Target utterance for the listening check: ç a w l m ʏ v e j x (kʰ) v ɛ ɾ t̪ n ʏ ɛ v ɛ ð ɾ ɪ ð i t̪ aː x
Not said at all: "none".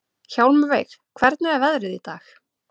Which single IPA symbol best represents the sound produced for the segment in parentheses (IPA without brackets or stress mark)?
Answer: kʰ